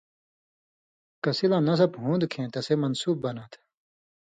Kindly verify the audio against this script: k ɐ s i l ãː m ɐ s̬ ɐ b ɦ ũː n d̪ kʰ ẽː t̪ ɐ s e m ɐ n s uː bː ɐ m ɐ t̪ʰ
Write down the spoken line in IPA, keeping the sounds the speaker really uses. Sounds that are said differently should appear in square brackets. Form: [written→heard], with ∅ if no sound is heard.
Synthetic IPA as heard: k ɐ s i l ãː [m→n] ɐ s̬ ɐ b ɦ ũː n d̪ kʰ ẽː t̪ ɐ s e m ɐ n s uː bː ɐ [m→n] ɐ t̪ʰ

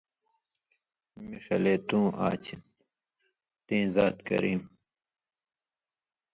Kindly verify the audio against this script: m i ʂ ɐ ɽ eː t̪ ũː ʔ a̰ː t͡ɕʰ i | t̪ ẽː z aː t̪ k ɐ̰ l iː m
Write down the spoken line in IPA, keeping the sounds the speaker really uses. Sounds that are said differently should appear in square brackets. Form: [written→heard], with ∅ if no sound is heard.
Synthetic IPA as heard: m i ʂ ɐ [ɽ→l] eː t̪ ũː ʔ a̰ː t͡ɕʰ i | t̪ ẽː z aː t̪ k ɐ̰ [l→ɾ] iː m

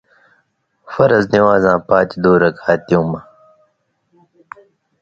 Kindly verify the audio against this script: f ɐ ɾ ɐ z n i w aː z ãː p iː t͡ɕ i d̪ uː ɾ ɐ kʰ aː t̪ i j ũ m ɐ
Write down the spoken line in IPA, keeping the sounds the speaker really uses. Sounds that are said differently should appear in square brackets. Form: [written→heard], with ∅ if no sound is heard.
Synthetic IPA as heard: f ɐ ɾ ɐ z n i w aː z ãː p [iː→aː] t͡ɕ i d̪ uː ɾ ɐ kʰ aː t̪ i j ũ m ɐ

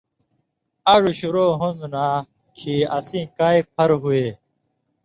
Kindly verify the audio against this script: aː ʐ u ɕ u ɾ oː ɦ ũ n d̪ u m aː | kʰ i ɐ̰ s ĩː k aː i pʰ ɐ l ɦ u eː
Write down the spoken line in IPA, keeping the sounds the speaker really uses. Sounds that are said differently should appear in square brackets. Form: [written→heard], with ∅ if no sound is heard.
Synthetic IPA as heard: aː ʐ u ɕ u ɾ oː ɦ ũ n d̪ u [m→n] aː | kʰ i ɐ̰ s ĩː k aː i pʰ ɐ [l→ɾ] ɦ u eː

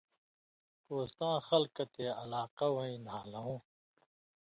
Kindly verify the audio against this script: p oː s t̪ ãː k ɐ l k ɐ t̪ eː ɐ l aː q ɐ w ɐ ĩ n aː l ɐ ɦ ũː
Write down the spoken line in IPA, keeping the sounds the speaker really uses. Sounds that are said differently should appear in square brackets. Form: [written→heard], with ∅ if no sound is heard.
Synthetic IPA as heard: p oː s t̪ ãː [k→x] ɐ l k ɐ t̪ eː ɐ l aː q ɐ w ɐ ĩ n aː l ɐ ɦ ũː

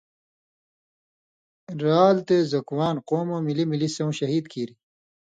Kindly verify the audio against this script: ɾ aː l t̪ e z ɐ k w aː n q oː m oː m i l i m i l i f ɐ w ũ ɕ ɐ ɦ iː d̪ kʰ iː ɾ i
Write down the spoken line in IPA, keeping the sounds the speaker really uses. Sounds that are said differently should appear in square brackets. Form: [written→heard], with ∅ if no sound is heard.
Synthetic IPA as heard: ɾ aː l t̪ e z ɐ k w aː n q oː m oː m i l i m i l i [f→s] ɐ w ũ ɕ ɐ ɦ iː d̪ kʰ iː ɾ i

